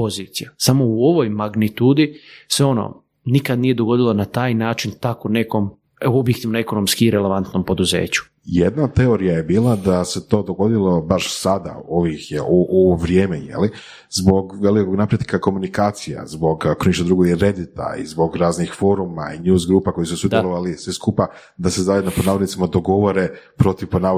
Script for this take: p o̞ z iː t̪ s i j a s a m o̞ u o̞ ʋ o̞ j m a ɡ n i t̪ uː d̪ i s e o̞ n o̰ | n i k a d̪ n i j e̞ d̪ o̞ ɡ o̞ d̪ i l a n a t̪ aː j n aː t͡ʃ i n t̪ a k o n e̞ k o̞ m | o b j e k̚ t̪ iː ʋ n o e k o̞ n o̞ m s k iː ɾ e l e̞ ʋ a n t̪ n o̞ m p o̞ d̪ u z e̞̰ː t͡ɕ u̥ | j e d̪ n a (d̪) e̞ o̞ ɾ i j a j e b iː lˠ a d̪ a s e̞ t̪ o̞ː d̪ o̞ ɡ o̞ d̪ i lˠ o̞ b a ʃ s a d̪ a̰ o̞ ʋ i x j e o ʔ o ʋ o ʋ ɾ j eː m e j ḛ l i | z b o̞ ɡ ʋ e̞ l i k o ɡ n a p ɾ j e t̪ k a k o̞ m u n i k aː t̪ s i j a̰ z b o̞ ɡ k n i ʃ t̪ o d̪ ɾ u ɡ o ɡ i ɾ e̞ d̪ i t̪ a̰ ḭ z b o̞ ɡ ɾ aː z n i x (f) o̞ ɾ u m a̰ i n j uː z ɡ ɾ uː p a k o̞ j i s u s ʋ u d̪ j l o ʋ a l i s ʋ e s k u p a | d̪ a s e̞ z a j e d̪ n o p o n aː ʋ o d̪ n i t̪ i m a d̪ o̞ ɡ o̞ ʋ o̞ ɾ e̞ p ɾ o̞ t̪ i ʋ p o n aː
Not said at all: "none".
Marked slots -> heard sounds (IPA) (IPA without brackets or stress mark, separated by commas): t̪, f